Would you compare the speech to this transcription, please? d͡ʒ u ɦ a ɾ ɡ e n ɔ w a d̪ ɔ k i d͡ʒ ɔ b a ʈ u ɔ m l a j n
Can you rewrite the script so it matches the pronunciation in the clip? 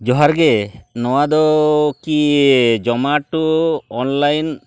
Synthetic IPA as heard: d͡ʒ ɔ ɦ a ɾ ɡ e n ɔ w a d̪ ɔ k i d͡ʒ ɔ m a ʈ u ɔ n l a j n